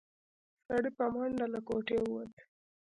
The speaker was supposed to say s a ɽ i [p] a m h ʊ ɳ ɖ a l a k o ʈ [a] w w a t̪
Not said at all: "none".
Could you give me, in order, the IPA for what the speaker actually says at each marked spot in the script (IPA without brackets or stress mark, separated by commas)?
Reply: p, e